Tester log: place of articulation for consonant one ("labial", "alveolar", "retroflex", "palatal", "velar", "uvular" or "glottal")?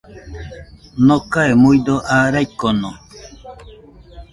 alveolar